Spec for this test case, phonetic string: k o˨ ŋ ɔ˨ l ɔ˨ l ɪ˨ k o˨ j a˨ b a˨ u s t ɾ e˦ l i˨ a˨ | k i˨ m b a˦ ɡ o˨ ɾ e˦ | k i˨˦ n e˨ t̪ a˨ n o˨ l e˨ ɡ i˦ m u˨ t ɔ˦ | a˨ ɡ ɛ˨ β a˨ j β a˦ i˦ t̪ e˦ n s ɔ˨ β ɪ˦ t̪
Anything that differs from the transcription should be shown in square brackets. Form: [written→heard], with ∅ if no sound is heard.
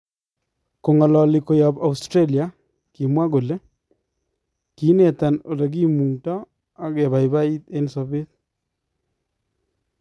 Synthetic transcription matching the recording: k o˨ ŋ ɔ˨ l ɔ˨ l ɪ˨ k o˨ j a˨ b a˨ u s t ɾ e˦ l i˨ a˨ | k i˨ m [b→w] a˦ ɡ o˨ [ɾ→l] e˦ | k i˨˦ n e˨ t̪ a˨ n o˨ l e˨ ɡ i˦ m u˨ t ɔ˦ | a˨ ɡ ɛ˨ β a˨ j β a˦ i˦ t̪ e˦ n s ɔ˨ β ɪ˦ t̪